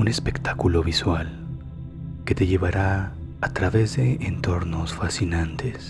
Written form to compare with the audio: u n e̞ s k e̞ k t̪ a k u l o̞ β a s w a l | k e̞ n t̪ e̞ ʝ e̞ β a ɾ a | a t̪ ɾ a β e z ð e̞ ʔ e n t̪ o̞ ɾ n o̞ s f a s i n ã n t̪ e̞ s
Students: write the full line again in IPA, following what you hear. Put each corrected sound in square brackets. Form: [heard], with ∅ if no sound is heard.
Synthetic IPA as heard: u n e̞ s [p] e̞ k t̪ a k u l o̞ β [i] s w a l | k e̞ [∅] t̪ e̞ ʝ e̞ β a ɾ a | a t̪ ɾ a β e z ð e̞ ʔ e n t̪ o̞ ɾ n o̞ s f a s i n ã n t̪ e̞ s